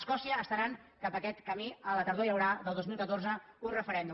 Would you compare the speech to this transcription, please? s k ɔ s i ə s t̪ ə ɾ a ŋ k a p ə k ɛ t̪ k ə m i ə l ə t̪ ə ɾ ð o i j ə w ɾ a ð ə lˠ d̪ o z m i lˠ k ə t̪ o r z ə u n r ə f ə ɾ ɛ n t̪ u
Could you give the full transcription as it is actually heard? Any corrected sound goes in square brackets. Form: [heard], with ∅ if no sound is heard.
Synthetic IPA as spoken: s k ɔ s i [əː] s t̪ ə ɾ a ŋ k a p ə k ɛ t̪ k ə m i ə l ə t̪ ə ɾ ð o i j ə w ɾ a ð ə lˠ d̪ o z m i lˠ k ə t̪ o r z ə u n r ə f ə ɾ ɛ n [d̪] u